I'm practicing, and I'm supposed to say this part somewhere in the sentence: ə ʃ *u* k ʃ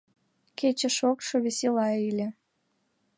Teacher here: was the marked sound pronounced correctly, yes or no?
no